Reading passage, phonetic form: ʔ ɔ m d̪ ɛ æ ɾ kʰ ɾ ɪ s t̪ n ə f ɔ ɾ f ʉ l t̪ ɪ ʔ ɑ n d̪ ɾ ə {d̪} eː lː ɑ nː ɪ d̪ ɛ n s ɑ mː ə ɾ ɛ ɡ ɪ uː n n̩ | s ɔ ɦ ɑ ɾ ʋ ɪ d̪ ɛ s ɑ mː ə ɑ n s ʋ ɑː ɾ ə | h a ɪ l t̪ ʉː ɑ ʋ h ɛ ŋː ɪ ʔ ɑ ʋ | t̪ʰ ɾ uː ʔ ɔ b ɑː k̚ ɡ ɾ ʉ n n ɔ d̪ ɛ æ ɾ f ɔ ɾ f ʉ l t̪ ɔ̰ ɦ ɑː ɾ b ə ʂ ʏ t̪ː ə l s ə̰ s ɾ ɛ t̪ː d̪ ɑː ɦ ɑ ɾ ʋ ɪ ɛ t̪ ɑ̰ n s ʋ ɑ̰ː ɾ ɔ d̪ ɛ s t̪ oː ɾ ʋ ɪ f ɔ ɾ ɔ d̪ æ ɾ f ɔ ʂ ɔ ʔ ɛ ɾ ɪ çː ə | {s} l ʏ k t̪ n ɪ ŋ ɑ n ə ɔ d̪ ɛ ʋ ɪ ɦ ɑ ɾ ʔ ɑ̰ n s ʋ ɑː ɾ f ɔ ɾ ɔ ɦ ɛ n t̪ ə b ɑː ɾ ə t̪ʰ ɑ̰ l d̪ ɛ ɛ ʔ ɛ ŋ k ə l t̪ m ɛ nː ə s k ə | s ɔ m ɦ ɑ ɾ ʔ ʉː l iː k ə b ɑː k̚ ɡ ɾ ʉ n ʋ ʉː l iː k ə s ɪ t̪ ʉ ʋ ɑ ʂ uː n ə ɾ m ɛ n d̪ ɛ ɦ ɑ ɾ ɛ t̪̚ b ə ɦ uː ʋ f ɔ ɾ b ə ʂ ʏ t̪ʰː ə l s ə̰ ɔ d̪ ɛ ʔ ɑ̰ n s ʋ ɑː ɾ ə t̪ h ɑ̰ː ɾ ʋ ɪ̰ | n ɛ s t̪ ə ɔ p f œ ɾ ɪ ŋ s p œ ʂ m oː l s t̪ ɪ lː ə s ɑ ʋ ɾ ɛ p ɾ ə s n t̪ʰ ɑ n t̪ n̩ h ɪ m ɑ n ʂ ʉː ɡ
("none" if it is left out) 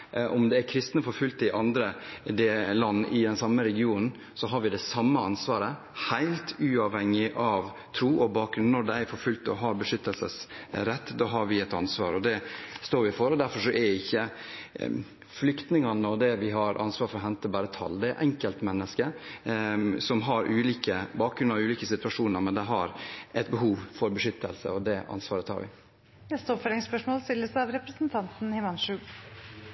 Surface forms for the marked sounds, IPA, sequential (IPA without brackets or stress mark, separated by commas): d̪, f